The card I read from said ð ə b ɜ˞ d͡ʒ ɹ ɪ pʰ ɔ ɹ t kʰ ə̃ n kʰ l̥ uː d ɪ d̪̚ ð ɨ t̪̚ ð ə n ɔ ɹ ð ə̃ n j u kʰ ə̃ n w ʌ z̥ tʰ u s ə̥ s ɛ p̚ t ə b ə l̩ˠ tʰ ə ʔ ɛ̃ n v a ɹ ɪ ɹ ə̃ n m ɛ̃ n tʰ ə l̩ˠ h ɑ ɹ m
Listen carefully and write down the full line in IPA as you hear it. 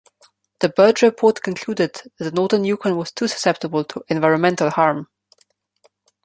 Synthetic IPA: ð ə b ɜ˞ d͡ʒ ɹ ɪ pʰ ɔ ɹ t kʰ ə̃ n kʰ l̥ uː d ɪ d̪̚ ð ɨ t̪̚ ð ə n ɔ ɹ ð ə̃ n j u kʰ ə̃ n w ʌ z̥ tʰ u s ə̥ s ɛ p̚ t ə b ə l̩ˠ tʰ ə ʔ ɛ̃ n v a ɪ ɹ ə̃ n m ɛ̃ n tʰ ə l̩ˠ h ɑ ɹ m